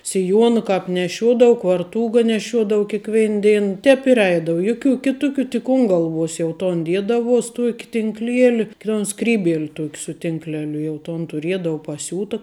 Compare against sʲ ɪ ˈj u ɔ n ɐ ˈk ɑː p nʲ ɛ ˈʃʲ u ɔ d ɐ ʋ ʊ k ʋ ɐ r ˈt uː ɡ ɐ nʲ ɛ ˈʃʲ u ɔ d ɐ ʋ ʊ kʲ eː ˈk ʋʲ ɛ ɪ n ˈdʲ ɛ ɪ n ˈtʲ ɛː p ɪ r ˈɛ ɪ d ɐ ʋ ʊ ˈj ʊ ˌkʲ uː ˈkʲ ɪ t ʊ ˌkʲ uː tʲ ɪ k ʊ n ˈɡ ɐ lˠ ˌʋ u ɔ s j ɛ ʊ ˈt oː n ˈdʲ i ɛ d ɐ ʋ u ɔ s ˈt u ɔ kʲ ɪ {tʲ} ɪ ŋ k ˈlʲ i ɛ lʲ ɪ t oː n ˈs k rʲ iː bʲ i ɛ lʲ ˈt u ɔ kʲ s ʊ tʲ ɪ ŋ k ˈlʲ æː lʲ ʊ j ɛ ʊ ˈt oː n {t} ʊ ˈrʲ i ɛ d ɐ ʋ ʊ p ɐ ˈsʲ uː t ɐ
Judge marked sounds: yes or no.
yes, yes

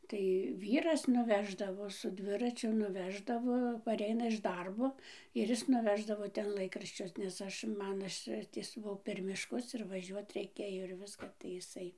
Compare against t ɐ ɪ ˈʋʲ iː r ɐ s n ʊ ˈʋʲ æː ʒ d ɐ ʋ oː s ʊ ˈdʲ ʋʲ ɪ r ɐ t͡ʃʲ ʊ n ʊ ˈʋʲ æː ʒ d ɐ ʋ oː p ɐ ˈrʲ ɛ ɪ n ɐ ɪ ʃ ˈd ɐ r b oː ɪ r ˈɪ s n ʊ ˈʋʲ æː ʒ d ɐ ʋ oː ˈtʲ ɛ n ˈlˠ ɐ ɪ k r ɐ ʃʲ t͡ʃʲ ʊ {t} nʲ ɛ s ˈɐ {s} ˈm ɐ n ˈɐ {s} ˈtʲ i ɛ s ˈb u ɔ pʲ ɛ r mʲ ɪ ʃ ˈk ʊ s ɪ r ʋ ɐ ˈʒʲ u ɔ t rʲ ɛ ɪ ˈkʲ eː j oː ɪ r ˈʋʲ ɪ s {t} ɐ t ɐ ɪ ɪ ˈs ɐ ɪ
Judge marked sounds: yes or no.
no, no, no, no

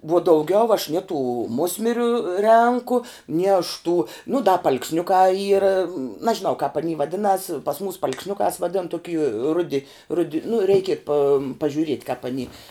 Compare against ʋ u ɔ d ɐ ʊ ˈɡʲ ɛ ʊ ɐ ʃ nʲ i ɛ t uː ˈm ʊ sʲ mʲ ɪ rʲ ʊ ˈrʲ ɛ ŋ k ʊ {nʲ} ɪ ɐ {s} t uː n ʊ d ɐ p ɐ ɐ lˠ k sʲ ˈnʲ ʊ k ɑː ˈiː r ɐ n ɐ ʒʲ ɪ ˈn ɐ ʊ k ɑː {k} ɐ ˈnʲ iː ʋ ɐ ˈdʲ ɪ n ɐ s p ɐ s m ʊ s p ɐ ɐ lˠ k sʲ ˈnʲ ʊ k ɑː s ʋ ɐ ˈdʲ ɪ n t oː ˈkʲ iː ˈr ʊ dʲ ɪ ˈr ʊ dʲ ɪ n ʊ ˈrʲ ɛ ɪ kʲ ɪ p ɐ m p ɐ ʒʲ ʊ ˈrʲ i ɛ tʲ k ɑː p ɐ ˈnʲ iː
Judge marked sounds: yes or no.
yes, no, no

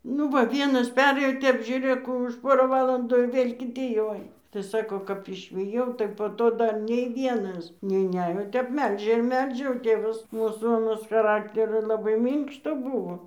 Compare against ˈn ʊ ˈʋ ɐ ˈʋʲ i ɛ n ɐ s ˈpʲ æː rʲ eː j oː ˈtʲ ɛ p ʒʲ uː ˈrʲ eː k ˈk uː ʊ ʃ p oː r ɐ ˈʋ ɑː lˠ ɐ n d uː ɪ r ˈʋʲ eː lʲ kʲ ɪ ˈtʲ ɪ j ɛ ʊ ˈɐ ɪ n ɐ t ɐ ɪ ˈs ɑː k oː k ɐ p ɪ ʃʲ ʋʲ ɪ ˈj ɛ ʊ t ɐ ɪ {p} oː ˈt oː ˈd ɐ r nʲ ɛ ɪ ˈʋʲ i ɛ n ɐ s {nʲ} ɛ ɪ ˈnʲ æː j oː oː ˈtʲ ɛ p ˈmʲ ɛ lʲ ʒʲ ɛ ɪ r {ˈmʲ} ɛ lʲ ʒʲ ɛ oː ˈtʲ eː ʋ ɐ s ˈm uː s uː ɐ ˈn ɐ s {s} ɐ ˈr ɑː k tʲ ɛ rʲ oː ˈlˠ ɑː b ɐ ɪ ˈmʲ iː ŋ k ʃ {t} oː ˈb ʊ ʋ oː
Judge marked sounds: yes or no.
yes, yes, yes, no, yes

